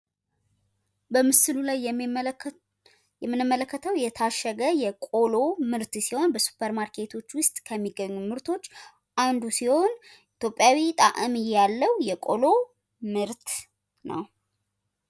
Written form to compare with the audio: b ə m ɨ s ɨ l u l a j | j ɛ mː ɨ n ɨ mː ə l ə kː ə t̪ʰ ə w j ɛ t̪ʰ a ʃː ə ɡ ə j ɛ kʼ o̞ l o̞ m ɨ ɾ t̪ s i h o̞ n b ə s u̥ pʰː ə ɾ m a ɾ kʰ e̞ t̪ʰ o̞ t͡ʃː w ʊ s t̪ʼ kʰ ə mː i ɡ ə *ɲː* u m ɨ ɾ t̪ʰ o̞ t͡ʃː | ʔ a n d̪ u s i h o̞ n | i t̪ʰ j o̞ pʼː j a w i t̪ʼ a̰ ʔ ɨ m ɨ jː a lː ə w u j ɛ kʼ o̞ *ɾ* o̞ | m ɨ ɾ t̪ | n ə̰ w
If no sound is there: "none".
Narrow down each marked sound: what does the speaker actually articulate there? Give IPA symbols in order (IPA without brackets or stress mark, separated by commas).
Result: ɲː, l